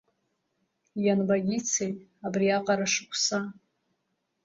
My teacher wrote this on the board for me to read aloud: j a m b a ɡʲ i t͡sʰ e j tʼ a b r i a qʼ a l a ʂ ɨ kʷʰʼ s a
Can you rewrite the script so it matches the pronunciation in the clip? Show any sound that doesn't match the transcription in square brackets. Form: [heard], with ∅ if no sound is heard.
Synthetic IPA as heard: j a [n] b a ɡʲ i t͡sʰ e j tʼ a b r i a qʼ a [ɾ] a ʂ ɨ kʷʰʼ s a